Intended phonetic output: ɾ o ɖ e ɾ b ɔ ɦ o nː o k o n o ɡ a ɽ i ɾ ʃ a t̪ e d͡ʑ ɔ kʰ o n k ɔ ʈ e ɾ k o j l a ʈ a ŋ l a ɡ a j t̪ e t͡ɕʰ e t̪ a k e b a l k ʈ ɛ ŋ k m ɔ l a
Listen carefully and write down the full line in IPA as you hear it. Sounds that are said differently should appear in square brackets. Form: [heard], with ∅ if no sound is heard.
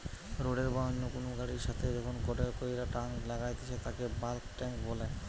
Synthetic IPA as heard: ɾ o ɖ e ɾ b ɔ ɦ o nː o k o n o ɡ a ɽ i ɾ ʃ a [t̪ʰ] e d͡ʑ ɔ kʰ o n k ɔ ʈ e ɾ k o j [ɾ] a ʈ a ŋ l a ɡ a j t̪ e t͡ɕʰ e t̪ a k e b a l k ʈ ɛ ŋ k [b] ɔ l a